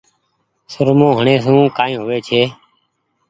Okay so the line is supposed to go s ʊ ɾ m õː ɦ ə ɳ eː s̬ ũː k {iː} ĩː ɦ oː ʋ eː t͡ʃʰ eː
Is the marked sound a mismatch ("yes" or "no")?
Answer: yes